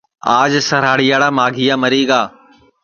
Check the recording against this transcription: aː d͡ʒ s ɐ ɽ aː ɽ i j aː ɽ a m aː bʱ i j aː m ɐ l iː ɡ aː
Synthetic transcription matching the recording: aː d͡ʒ s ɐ ɾ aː ɽ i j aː ɽ a m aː ɡʱ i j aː m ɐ ɾ iː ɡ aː